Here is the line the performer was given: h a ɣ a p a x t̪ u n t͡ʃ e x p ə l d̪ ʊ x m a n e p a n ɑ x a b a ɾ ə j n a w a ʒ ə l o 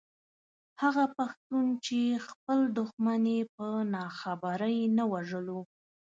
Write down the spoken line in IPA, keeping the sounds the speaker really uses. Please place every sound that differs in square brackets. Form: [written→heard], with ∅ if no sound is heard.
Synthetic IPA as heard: h a ɣ a p a x t̪ u n t͡ʃ e x p ə l d̪ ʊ x m a n e p [a→ə] n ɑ x a b a ɾ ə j n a w a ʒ ə l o